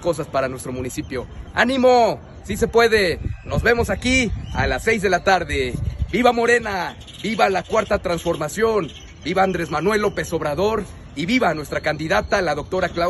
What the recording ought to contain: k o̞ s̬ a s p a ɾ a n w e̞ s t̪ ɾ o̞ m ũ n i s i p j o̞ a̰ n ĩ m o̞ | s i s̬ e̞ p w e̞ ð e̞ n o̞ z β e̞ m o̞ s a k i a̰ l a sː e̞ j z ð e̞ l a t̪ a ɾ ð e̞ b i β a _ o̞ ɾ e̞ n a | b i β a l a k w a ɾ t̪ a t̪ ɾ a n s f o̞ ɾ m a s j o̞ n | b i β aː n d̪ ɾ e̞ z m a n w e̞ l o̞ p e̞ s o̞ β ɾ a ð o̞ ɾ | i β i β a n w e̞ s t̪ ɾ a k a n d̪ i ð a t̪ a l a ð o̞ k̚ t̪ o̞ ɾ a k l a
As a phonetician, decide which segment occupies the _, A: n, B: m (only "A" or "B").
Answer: B